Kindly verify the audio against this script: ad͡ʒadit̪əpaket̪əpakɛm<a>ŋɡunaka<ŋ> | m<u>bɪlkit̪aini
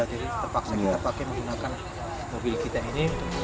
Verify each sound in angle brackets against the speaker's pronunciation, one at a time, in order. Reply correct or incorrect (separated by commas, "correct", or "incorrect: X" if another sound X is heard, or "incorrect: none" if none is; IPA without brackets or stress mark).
incorrect: ə, incorrect: n, incorrect: o